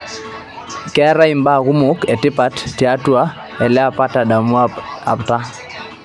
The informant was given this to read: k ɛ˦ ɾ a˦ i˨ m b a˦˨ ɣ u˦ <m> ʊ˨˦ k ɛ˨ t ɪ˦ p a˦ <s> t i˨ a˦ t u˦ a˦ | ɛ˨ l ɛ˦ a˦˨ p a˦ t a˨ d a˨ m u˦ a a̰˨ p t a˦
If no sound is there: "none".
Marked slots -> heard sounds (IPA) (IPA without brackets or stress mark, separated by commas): m, t